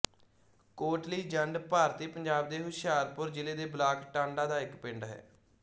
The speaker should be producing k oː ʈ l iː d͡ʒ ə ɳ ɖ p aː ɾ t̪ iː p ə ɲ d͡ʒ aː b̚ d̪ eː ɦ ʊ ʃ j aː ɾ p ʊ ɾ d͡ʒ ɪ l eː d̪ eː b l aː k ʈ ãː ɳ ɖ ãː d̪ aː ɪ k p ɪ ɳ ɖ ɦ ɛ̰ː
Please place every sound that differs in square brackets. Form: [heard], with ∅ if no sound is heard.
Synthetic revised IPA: k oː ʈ l iː d͡ʒ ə ɳ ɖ p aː ɾ t̪ iː p ə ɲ d͡ʒ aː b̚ d̪ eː ɦ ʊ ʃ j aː ɾ p ʊ ɾ d͡ʒ ɪ l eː d̪ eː b l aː k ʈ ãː ɳ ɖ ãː d̪ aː ɪ k p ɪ ɳ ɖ ɦ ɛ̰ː